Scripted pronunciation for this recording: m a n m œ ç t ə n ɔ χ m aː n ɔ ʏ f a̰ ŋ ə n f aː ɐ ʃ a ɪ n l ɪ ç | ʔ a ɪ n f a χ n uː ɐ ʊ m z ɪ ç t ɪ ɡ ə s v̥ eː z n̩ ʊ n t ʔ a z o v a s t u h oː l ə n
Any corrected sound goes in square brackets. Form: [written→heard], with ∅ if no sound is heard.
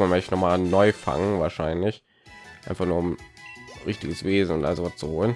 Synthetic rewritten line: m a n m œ ç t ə n ɔ χ m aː n ɔ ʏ f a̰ ŋ ə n [f→v] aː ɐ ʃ a ɪ n l ɪ ç | ʔ a ɪ n f a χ n uː ɐ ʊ m [z→ʁ] ɪ ç t ɪ ɡ ə s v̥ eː z n̩ ʊ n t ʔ a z o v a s [t→t͡s] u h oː l ə n